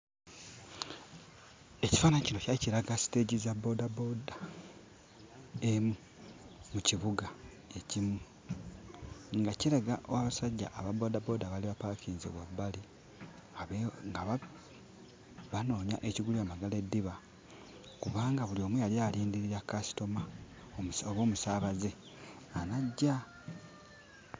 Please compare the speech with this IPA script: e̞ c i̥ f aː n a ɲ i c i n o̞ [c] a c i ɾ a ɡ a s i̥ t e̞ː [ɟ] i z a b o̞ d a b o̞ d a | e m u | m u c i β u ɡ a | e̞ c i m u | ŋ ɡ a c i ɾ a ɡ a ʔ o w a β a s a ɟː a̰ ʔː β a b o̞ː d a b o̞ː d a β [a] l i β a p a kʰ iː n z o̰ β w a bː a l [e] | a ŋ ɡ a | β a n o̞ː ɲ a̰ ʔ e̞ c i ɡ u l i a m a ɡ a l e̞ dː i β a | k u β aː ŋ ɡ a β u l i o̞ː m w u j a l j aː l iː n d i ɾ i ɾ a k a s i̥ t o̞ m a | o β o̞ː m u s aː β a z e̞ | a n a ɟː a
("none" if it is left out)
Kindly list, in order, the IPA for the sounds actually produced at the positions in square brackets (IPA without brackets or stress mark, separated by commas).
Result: c, ɟ, a, i